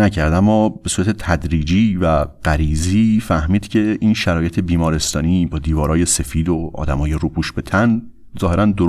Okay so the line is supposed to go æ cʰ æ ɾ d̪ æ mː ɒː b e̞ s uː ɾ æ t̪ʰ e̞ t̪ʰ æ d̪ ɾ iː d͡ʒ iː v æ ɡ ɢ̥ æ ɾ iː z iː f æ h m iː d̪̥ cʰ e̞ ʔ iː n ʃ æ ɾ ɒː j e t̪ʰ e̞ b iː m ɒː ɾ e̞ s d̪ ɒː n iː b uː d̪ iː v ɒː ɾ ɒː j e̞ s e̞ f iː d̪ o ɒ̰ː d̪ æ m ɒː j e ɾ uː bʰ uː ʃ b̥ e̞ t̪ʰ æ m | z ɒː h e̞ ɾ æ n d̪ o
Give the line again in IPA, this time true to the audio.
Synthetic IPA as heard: æ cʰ æ ɾ d̪ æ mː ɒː b e̞ s uː ɾ æ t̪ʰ e̞ t̪ʰ æ d̪ ɾ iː d͡ʒ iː v æ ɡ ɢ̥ æ ɾ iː z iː f æ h m iː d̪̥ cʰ e̞ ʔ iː n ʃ æ ɾ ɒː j e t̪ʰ e̞ b iː m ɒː ɾ e̞ s t̪ ɒː n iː b ɒː d̪ iː v ɒː ɾ ɒː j e̞ s e̞ f iː d̪ o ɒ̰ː d̪ æ m ɒː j e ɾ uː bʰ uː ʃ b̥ e̞ t̪ʰ æ n | z ɒː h e̞ ɾ æ n d̪ o